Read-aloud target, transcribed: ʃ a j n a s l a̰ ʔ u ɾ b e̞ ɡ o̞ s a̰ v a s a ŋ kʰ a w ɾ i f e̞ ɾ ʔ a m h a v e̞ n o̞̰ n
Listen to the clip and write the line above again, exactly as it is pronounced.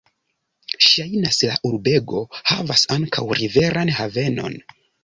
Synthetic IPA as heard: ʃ a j n a s l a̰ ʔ u ɾ b e̞ ɡ o̞ h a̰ v a s a ŋ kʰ a w ɾ i v e̞ ɾ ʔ a n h a v e̞ n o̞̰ n

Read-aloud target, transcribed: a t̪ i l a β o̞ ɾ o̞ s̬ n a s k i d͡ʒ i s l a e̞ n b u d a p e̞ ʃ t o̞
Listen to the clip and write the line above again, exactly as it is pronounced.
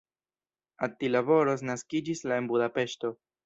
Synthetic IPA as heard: a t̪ i l a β o̞ ɾ o̞ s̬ n a s k i d͡ʒ i s l a e̞ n b u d a p e̞ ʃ t o̞

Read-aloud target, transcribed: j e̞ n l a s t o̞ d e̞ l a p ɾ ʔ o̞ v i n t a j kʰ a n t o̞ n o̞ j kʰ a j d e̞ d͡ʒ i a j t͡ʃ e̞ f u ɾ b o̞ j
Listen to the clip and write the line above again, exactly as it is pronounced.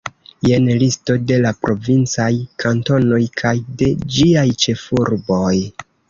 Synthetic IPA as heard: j e̞ n l i s t o̞ d e̞ l a p ɾ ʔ o̞ v i n t͡s a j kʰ a n t o̞ n o̞ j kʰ a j d e̞ d͡ʒ i a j t͡ʃ e̞ f u ɾ b o̞ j

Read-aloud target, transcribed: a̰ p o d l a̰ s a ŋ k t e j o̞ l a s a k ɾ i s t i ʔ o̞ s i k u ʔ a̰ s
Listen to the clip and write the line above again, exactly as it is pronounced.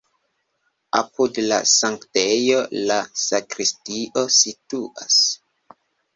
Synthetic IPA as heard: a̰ p u d l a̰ s a ŋ k t e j o̞ l a s a k ɾ i s t i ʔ o̞ s i t u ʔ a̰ s

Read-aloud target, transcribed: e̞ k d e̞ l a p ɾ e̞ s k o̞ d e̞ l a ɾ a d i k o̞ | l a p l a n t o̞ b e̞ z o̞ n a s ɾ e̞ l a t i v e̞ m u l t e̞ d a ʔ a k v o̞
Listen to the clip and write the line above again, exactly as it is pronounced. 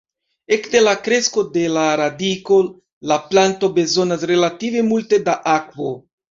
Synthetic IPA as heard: e̞ k d e̞ l a k ɾ e̞ s k o̞ d e̞ l a ɾ a d i k o̞ | l a p l a n t o̞ b e̞ z o̞ n a s ɾ e̞ l a t i v e̞ m u l t e̞ d a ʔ a k v o̞

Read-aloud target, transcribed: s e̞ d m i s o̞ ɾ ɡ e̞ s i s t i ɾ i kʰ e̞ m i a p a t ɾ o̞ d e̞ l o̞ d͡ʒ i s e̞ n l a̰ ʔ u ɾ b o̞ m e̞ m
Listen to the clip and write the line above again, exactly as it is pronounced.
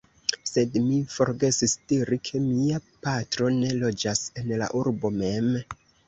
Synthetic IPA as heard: s e̞ d m i f o̞ ɾ ɡ e̞ s i s t i ɾ i kʰ e̞ m i a p a t ɾ o̞ n e̞ l o̞ d͡ʒ a s e̞ n l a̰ ʔ u ɾ b o̞ m e̞ m

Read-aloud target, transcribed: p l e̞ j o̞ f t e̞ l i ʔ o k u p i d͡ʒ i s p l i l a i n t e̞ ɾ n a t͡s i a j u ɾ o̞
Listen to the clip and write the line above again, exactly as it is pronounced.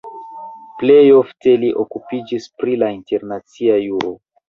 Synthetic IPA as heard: p l e̞ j o̞ f t e̞ l i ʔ o k u p i d͡ʒ i s p ɾ i l a i n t e̞ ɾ n a t͡s i a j u ɾ o̞

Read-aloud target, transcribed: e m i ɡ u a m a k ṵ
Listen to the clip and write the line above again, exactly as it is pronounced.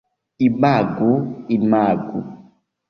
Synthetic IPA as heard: i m a ɡ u i m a ɡ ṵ

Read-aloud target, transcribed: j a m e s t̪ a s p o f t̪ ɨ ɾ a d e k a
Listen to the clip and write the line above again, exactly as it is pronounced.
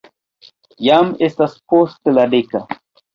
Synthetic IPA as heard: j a m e s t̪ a s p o s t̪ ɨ l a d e k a

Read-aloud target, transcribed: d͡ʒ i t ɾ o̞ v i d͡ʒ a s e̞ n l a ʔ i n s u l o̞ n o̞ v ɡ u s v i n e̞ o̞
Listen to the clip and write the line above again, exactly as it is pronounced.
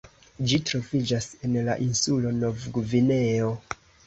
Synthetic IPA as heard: d͡ʒ i t ɾ o̞ v i d͡ʒ a s e̞ n l a ʔ i n s u l o̞ n o̞ v ɡ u v i n e̞ o̞

